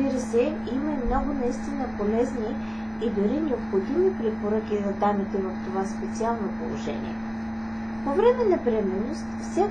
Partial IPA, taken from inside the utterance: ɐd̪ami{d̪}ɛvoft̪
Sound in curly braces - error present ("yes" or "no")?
yes